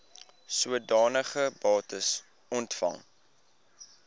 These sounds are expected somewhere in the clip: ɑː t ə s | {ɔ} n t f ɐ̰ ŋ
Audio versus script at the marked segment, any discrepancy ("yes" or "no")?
no